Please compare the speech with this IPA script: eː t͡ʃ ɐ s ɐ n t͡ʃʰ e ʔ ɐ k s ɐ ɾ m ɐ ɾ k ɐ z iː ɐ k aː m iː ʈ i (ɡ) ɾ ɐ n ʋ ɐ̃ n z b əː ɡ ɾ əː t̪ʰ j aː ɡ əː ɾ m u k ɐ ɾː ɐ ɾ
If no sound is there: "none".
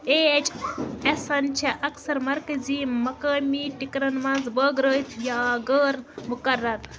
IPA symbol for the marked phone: k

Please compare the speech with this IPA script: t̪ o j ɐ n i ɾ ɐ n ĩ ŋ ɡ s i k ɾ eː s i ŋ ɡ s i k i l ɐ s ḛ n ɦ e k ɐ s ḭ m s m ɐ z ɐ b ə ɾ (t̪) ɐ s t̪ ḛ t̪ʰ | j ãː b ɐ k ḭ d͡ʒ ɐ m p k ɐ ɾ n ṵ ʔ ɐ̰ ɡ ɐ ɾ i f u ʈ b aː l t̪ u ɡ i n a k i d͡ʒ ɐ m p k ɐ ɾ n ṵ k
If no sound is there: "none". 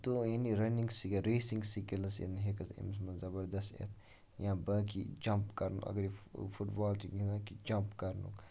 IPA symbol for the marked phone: d̪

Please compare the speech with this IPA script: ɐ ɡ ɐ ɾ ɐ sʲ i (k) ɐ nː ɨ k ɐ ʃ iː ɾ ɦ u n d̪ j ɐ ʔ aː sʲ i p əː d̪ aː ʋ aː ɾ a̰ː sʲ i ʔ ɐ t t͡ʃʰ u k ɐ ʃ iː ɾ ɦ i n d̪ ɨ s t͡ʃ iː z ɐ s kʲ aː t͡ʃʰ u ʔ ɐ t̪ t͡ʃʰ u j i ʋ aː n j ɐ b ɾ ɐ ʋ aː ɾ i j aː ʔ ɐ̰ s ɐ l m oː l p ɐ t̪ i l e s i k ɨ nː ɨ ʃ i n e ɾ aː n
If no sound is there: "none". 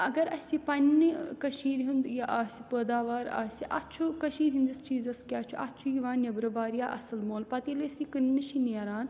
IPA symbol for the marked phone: p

